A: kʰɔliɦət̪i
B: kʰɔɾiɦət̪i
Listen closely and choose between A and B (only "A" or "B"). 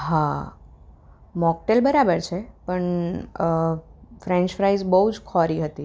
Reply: B